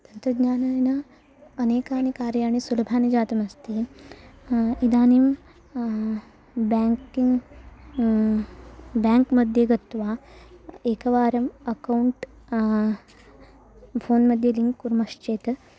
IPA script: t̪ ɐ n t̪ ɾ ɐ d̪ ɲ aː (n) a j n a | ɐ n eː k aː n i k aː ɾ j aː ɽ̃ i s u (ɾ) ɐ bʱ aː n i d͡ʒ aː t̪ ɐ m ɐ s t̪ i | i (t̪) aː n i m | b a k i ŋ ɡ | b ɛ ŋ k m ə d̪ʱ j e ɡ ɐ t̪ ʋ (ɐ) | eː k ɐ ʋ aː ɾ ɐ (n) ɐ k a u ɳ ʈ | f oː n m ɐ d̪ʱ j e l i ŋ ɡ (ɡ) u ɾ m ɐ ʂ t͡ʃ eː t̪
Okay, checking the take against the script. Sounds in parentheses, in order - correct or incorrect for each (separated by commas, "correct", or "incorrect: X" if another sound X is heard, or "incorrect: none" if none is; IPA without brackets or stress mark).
correct, incorrect: l, incorrect: d̪, incorrect: a, incorrect: m, incorrect: k